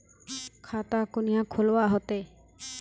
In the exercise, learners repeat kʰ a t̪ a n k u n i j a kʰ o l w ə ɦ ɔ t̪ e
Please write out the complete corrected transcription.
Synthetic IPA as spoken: kʰ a t̪ a k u n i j a kʰ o l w a ɦ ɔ t̪ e